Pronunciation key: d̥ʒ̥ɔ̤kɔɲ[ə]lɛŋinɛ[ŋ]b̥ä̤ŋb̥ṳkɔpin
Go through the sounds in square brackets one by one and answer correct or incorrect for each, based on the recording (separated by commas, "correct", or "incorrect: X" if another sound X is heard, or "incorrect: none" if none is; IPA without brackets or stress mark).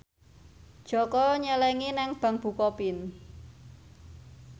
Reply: correct, correct